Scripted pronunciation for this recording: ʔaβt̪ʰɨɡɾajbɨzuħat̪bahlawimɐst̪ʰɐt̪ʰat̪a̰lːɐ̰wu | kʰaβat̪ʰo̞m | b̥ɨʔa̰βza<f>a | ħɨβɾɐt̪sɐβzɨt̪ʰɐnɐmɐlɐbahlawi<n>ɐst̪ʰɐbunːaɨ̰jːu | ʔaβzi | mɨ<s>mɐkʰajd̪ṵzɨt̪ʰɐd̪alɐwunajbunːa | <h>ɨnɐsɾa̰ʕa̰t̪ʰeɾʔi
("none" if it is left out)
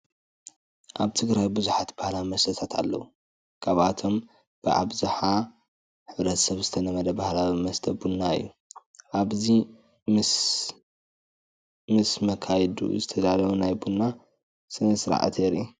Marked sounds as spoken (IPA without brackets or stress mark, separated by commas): ħ, m, s, s